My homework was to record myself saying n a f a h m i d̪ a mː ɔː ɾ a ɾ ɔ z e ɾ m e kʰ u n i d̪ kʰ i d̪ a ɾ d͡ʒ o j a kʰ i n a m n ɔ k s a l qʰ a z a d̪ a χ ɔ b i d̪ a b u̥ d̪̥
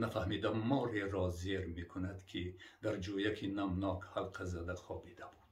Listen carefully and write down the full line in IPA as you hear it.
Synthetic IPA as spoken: n a f a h m i d̪ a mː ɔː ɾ e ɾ ɔ z e ɾ m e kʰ u n a d̪ kʰ i d̪ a ɾ d͡ʒ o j a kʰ i n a m n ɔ k h a l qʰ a z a d̪ a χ ɔ b i d̪ a b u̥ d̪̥